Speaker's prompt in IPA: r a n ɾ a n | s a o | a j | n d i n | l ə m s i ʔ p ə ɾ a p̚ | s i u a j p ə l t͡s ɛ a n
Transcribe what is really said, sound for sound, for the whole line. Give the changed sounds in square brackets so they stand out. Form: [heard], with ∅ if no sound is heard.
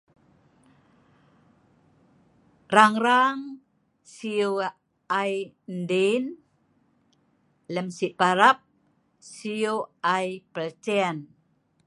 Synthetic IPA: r a [ŋ] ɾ a [ŋ] | s [i] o | a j | n d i n | l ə m s i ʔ p [a] ɾ a p̚ | s i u a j p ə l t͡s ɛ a n